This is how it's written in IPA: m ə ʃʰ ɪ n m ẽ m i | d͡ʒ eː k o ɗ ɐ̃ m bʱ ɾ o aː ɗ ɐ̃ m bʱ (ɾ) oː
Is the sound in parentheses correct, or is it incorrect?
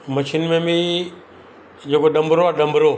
correct